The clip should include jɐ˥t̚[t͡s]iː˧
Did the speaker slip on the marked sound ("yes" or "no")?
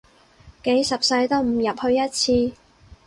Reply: yes